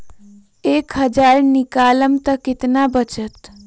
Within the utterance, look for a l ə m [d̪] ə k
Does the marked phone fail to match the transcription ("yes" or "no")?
yes